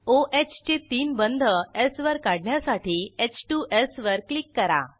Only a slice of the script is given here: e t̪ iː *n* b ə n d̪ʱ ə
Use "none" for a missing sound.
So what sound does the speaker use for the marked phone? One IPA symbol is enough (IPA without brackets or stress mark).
n